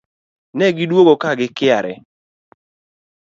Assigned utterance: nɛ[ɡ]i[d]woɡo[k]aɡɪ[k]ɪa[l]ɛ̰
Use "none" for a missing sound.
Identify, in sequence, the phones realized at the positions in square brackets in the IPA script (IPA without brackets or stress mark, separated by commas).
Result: ɡ, d, k, k, ɾ